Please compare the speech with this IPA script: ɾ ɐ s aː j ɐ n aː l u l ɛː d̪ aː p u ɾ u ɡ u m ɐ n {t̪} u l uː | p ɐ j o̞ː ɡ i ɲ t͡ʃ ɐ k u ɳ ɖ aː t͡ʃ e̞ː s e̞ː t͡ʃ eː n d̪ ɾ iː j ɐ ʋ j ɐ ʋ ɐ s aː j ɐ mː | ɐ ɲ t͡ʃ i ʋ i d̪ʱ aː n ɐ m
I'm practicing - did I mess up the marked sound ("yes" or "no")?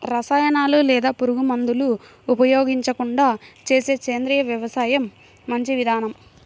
yes